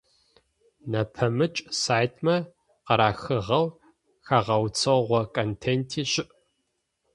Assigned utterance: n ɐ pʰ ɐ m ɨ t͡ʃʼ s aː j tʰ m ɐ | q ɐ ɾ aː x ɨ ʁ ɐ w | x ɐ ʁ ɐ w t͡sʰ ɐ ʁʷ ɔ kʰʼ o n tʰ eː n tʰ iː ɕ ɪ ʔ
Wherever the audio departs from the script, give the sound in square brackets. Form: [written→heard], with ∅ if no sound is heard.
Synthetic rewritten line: n ɐ pʰ ɐ m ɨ t͡ʃʼ s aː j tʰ m ɐ | q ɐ ɾ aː x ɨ ʁ ɐ w | x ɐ ʁ ɐ w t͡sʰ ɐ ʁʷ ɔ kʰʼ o n tʰ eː n tʰ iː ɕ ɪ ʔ